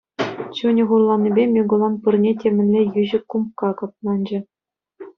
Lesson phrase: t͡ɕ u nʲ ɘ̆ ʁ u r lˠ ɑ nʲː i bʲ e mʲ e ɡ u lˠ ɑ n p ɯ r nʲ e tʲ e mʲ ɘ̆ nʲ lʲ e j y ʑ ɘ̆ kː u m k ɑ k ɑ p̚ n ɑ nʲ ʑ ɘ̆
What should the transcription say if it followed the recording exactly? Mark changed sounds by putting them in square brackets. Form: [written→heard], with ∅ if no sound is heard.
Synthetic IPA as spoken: t͡ɕ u nʲ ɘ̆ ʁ u r lˠ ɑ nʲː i bʲ e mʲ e ɡ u lˠ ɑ n p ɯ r nʲ e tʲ e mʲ ɘ̆ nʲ lʲ e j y ʑ ɘ̆ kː u m k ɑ k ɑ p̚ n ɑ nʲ [ʑ→d͡ʑ] ɘ̆